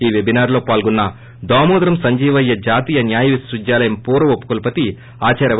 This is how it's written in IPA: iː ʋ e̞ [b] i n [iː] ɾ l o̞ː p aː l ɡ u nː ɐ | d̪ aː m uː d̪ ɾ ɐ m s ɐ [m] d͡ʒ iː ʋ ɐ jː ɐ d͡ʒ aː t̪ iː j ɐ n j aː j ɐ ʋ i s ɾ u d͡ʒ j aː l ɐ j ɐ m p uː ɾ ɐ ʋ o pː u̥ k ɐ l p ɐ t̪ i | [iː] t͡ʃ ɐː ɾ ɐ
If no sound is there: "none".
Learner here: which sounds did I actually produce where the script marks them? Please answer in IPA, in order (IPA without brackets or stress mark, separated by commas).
b, aː, ɲ, aː